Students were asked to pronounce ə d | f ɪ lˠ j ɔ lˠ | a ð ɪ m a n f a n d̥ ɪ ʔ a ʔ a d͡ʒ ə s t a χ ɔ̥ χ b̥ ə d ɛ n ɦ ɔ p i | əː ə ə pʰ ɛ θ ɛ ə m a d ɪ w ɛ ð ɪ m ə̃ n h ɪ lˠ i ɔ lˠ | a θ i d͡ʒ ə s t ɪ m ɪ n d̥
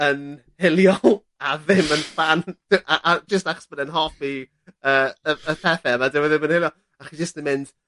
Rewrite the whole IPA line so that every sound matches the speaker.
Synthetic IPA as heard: ə n | h ɪ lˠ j ɔ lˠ | a ð ɪ m ə n f a n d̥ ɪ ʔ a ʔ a d͡ʒ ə s t a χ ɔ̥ s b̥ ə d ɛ n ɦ ɔ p i | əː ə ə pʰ ɛ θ ɛ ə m a d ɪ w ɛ ð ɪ m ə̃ n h ɪ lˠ j ɔ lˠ | a χ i d͡ʒ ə s t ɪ m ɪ n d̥